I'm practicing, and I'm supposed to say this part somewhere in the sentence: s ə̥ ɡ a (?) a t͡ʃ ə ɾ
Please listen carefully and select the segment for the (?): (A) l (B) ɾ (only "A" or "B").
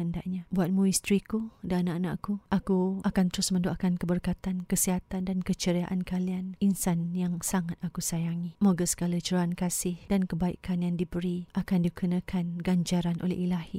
A